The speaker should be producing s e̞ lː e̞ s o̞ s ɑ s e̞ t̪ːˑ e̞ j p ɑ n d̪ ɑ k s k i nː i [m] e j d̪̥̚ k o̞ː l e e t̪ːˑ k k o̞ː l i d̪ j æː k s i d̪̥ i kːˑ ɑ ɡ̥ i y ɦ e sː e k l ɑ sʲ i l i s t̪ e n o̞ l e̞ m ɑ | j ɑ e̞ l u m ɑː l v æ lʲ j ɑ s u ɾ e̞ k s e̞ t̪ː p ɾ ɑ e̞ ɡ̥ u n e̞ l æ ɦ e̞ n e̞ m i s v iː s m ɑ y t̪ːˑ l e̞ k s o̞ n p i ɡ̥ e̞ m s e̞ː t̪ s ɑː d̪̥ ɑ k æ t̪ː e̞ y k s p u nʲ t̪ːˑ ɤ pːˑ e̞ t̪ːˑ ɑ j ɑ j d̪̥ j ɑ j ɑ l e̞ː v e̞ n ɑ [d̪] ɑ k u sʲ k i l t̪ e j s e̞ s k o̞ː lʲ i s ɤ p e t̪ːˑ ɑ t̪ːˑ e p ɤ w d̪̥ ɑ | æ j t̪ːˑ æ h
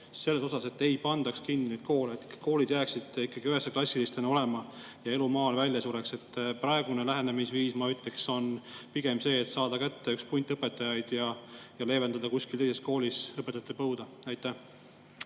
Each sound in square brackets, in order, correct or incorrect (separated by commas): incorrect, correct